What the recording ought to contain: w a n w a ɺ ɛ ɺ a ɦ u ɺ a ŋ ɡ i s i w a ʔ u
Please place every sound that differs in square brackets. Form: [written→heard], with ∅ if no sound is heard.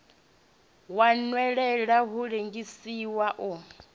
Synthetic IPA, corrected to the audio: w a n w [a→ɛ] ɺ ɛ ɺ a ɦ u ɺ [a→e] ŋ ɡ i s i w a ʔ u